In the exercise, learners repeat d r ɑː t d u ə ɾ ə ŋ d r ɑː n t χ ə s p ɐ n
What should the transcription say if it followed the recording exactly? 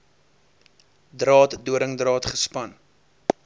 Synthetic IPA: d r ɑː t d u ə ɾ ə ŋ d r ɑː t χ ə s p ɐ n